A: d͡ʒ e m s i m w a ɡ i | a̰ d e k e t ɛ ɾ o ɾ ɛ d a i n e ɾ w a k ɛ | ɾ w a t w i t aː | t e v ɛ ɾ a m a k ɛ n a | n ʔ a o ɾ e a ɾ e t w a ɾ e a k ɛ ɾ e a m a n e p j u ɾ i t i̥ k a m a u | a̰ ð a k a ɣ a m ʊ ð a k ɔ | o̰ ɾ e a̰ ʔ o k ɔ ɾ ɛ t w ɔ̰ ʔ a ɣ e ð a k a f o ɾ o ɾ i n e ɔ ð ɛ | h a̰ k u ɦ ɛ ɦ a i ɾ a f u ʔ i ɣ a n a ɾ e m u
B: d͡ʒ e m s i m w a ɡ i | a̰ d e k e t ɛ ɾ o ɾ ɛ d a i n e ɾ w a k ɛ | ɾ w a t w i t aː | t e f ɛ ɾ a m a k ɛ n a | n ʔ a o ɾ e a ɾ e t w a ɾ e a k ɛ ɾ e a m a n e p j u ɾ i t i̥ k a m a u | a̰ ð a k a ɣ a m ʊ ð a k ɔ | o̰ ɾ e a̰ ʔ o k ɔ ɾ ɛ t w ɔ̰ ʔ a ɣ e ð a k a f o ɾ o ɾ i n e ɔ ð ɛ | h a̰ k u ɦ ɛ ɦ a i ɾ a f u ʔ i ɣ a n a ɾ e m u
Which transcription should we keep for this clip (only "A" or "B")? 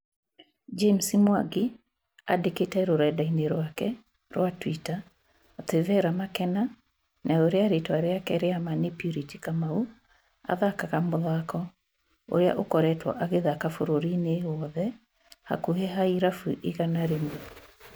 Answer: A